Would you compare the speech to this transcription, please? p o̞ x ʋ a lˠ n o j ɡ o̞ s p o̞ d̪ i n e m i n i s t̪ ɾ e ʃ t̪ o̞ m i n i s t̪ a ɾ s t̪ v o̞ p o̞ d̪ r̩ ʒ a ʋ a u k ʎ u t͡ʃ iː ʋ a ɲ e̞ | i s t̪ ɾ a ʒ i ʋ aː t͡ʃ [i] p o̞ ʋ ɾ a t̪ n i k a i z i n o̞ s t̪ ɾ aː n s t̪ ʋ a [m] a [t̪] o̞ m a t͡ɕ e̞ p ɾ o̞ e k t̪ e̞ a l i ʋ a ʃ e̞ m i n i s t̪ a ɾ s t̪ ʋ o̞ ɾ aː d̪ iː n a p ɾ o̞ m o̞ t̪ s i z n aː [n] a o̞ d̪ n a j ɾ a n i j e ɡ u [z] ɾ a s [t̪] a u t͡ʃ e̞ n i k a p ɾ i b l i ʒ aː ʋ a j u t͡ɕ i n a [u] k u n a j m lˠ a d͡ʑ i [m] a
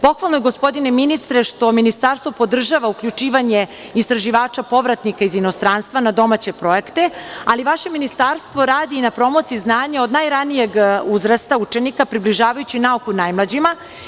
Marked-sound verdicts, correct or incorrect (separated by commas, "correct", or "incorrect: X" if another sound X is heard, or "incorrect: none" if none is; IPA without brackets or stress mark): incorrect: a, incorrect: n, incorrect: d̪, incorrect: ɲ, correct, correct, correct, correct